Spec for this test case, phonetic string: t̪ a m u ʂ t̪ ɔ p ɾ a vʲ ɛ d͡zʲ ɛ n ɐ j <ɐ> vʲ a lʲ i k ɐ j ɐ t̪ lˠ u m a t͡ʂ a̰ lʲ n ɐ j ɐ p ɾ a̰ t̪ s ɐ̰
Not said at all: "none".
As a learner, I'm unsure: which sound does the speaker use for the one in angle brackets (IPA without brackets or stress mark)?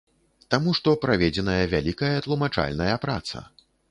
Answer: ɐ